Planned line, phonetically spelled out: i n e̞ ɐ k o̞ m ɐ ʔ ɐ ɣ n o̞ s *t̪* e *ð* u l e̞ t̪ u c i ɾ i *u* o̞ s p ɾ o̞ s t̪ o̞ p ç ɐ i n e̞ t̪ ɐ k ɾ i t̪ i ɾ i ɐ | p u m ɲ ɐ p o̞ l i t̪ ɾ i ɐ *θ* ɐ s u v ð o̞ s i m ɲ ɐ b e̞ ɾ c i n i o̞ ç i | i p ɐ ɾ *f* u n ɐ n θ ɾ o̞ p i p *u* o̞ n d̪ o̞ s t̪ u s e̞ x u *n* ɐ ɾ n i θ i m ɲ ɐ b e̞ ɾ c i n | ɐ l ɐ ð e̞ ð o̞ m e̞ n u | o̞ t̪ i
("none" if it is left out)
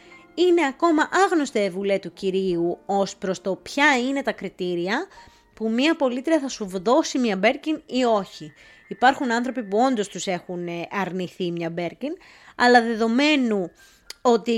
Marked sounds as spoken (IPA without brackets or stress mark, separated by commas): t̪, v, u, θ, x, u, n